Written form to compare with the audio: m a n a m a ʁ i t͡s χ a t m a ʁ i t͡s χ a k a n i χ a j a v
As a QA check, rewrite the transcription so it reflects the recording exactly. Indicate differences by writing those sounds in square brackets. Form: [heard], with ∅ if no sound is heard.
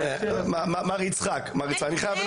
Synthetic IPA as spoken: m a [m] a m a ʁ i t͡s χ a [k] m a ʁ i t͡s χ a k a n i χ a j a v